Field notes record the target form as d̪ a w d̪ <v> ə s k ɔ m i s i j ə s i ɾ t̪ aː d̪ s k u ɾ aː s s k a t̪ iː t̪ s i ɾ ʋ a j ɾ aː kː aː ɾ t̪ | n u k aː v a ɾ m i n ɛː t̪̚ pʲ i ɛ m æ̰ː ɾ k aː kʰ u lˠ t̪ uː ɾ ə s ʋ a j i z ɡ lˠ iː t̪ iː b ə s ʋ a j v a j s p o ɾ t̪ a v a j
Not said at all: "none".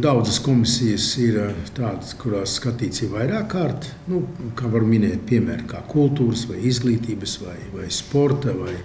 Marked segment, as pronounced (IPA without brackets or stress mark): z